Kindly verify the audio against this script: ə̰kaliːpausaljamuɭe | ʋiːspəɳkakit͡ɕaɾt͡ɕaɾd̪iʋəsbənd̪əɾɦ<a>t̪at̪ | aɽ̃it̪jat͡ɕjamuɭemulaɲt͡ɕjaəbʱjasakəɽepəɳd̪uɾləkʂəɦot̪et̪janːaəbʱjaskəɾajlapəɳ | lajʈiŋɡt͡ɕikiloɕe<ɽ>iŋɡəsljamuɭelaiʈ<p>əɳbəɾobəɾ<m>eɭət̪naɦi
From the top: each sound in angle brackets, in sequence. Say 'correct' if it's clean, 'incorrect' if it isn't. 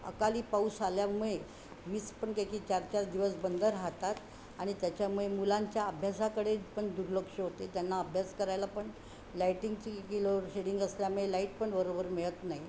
correct, correct, correct, correct

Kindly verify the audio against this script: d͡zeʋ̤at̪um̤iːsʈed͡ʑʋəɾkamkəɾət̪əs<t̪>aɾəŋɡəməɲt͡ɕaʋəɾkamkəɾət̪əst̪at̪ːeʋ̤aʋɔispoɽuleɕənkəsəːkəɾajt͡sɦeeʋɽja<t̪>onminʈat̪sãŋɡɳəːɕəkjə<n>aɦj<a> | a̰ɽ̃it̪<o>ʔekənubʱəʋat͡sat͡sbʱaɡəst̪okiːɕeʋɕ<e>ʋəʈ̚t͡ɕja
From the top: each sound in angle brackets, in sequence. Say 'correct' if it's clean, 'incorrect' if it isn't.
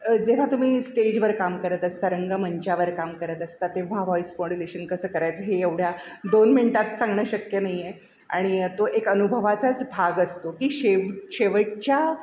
correct, incorrect: d̪, correct, incorrect: e, correct, correct

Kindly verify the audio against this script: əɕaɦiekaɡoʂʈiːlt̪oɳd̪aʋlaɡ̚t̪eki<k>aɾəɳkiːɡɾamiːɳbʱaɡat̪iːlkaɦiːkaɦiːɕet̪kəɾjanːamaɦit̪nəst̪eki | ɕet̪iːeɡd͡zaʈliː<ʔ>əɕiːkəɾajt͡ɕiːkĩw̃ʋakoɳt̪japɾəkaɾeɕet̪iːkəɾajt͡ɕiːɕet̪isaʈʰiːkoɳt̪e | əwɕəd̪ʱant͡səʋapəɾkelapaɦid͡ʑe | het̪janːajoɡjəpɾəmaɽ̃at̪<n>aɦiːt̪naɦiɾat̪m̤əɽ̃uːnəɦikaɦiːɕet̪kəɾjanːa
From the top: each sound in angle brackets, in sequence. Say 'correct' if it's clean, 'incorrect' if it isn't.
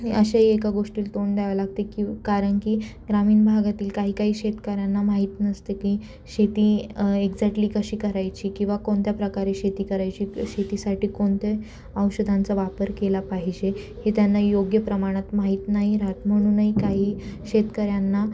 correct, incorrect: k, incorrect: m

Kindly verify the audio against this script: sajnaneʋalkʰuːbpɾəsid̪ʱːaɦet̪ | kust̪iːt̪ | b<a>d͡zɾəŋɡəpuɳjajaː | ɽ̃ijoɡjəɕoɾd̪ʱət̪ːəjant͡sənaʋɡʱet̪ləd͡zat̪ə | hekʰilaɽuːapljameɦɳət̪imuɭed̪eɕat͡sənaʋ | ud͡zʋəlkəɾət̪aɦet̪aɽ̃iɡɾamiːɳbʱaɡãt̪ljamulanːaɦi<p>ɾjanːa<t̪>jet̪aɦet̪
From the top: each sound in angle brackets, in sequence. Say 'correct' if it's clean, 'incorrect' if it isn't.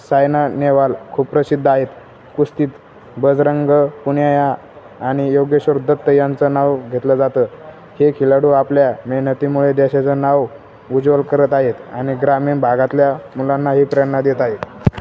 incorrect: ə, correct, incorrect: d̪

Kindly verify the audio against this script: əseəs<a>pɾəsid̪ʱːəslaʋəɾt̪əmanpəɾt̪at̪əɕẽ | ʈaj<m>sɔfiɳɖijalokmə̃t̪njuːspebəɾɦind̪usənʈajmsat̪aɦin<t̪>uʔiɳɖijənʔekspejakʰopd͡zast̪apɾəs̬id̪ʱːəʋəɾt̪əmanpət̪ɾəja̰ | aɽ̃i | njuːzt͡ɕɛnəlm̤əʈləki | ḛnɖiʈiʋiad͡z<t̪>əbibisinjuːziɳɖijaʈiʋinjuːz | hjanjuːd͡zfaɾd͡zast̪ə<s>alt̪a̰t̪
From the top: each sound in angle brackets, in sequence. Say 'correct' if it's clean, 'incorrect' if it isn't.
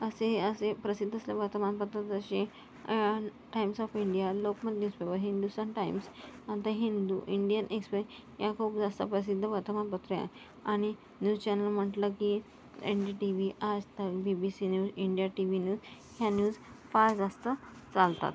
incorrect: e, correct, incorrect: d̪, correct, incorrect: t͡s

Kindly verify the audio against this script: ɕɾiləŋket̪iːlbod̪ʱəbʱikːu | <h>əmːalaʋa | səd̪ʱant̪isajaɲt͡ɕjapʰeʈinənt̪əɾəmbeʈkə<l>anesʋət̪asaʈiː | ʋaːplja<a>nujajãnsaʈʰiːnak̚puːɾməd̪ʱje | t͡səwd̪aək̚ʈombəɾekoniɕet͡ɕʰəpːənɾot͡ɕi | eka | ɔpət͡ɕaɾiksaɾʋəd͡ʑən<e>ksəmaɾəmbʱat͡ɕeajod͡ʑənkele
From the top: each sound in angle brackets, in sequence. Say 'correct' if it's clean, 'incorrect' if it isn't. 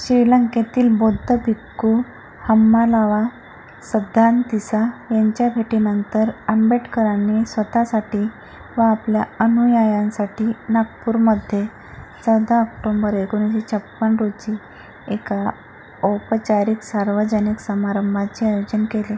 correct, incorrect: ɾ, incorrect: ə, incorrect: i

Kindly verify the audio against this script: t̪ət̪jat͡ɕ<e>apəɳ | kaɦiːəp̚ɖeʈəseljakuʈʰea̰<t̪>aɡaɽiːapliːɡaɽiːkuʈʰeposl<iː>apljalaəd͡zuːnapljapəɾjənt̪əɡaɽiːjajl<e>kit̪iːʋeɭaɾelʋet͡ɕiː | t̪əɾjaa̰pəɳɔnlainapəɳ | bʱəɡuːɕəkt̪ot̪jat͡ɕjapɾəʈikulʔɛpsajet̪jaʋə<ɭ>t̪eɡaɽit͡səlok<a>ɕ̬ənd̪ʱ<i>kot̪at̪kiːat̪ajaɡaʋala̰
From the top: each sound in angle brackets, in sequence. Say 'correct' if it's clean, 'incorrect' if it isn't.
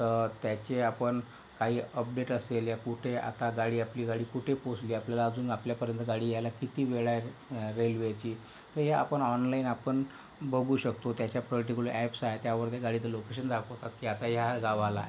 correct, correct, correct, incorrect: a, incorrect: ɾ, incorrect: e, incorrect: a

